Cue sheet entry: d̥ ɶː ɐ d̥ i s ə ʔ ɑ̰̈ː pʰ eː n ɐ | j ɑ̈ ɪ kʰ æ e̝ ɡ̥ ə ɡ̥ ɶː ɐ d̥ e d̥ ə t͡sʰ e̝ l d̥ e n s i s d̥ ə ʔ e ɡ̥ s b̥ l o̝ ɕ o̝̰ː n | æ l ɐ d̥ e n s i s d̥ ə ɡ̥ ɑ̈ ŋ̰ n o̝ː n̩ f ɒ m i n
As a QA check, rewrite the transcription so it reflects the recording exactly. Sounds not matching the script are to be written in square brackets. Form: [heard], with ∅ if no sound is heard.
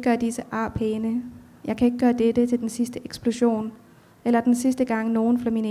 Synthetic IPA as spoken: [ɡ̥] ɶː ɐ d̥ i s ə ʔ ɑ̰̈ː pʰ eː n [ə] | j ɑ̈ ɪ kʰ æ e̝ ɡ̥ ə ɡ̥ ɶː ɐ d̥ e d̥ ə t͡sʰ e̝ l d̥ e n s i s d̥ ə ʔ e ɡ̥ s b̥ l o̝ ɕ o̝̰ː n | [e] l ɐ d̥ e n s i s d̥ ə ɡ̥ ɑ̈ ŋ̰ n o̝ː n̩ f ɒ m i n